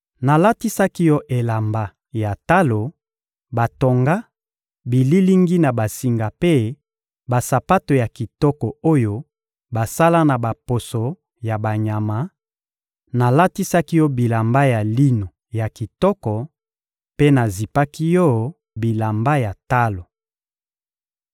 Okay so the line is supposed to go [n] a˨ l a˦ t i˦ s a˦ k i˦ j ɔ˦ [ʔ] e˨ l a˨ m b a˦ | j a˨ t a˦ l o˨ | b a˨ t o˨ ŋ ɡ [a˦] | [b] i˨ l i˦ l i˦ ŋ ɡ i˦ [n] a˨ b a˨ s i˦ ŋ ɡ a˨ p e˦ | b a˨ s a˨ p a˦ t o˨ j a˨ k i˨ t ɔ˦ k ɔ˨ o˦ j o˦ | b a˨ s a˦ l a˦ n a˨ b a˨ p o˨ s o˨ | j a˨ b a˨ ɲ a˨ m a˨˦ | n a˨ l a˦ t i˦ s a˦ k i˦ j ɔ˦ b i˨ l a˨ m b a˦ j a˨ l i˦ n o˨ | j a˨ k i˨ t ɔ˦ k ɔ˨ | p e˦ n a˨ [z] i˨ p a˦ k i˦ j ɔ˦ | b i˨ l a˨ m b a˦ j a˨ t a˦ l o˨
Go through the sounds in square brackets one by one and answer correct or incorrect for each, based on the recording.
correct, correct, correct, correct, correct, correct

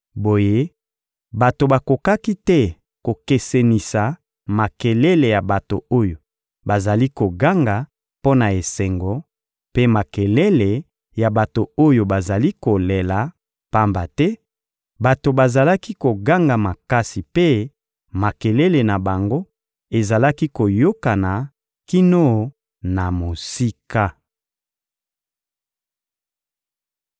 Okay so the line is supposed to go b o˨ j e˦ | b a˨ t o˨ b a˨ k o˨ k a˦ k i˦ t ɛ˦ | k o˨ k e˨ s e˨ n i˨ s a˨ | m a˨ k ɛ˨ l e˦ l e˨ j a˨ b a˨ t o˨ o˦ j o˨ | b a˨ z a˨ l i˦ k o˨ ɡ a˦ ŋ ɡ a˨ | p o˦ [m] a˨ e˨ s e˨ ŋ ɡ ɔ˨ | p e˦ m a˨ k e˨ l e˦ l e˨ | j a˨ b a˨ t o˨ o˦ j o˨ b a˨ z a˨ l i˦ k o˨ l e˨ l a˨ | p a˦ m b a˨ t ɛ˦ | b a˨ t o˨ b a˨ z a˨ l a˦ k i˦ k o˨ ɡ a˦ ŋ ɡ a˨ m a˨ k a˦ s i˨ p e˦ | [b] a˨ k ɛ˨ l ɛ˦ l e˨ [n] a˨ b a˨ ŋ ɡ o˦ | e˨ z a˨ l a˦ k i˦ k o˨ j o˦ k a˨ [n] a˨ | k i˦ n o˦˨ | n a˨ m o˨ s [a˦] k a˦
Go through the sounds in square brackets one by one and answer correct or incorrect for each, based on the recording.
incorrect, incorrect, correct, correct, incorrect

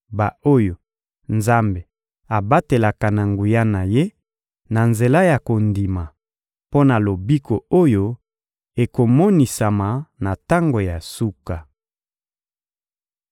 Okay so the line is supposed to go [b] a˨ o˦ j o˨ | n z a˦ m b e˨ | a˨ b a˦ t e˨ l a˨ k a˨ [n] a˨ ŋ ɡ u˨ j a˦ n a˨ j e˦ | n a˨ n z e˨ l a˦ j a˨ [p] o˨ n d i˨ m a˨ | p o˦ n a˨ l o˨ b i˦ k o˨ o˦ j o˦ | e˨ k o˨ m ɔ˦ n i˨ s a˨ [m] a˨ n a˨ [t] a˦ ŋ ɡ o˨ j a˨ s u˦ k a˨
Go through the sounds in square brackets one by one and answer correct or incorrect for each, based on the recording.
correct, correct, incorrect, correct, correct

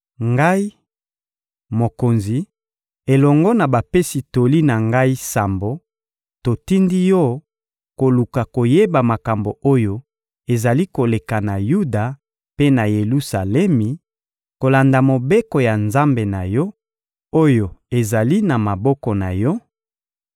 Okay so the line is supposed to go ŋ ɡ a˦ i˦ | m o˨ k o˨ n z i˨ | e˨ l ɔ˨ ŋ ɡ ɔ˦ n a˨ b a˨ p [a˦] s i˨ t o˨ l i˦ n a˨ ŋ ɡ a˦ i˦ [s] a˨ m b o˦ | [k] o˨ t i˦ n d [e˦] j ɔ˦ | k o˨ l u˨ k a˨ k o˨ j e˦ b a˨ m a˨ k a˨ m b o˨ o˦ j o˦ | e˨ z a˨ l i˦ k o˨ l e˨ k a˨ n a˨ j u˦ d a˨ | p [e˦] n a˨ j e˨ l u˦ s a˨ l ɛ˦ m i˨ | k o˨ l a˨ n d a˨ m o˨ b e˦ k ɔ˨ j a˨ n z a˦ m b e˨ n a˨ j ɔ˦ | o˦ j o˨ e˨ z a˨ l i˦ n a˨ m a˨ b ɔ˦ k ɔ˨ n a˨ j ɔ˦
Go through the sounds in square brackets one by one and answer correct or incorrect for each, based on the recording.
incorrect, correct, incorrect, incorrect, correct

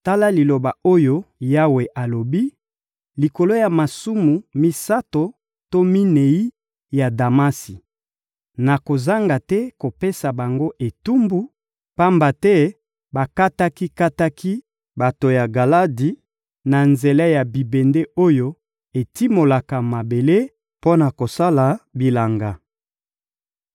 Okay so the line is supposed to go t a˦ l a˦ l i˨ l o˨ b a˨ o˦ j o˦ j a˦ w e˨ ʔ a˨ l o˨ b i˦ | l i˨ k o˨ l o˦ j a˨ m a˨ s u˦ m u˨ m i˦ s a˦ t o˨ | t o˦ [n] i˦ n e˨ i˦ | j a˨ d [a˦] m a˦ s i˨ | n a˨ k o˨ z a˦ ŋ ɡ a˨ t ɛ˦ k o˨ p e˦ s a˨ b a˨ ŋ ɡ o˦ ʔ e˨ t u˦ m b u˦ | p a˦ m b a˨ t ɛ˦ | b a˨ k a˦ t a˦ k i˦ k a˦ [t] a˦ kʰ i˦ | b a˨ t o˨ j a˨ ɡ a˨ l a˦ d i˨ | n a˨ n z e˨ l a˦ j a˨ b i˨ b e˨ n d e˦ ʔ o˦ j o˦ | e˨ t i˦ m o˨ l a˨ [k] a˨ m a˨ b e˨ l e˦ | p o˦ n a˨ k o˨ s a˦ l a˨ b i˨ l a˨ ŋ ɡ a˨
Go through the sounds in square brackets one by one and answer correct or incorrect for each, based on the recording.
incorrect, incorrect, correct, correct

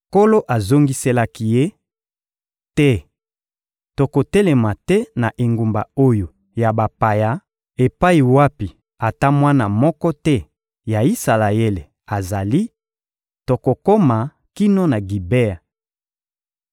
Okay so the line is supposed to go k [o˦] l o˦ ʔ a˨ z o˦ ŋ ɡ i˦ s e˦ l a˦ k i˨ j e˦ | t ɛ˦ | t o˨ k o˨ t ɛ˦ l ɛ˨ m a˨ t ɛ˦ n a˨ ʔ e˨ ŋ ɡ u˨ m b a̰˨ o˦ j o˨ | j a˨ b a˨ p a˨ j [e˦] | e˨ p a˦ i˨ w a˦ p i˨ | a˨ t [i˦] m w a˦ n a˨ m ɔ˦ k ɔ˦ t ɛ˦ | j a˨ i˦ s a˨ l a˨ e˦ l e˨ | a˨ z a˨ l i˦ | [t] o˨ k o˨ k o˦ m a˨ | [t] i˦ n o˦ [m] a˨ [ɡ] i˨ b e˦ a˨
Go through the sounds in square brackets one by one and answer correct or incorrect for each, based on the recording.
correct, incorrect, incorrect, correct, incorrect, incorrect, correct

